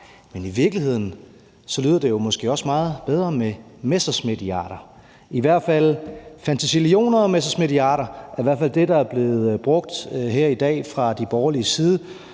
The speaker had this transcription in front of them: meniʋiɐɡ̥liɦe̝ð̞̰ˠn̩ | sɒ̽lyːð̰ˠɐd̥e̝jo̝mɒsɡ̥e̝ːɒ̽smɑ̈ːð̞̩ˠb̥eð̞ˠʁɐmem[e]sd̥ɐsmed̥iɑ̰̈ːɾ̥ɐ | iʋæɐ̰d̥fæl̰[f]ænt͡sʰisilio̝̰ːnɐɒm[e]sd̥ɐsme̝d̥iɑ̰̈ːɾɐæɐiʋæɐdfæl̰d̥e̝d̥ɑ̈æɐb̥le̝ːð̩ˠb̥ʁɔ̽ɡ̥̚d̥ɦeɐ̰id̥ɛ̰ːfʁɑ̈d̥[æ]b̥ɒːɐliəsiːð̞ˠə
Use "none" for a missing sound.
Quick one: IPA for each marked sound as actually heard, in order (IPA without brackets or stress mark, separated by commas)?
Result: e, f, e, i